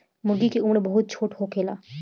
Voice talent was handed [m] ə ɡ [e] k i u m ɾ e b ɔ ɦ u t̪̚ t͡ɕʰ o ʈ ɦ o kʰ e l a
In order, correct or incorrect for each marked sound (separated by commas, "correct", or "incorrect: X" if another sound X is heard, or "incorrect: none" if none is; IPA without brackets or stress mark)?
correct, incorrect: i